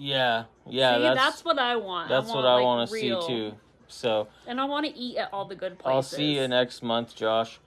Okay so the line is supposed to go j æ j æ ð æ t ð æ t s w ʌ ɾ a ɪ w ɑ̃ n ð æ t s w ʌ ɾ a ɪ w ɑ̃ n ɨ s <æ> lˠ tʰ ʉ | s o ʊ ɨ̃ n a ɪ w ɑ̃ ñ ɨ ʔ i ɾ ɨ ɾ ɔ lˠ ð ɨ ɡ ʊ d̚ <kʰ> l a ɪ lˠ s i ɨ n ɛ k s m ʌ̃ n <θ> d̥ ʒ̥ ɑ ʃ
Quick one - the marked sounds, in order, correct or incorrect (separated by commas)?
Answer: incorrect, incorrect, correct